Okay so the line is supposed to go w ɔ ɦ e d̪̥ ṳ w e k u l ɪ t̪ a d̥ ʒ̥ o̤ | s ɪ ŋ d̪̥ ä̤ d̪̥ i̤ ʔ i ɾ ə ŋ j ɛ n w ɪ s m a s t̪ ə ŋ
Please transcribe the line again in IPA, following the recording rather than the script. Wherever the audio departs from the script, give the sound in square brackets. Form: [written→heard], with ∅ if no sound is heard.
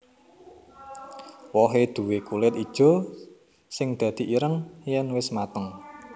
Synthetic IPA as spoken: w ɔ ɦ e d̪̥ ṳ w e k u l ɪ t̪ [a→i] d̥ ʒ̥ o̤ | s ɪ ŋ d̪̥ ä̤ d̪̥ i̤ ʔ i ɾ ə ŋ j ɛ n w ɪ s m a [s→∅] t̪ ə ŋ